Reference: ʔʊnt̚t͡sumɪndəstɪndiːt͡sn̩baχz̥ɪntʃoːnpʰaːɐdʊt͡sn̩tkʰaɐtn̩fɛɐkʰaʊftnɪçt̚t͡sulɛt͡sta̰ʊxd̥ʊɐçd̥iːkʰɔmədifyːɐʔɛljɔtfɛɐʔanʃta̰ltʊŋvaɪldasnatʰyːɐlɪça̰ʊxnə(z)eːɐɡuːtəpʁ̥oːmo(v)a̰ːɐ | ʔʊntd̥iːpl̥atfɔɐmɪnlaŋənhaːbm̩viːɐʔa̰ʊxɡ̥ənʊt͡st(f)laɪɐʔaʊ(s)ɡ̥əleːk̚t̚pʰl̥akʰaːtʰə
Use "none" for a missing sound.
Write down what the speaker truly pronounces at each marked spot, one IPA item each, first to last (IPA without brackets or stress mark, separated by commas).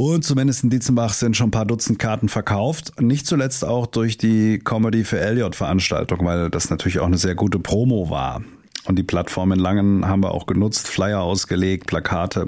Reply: z, v, f, s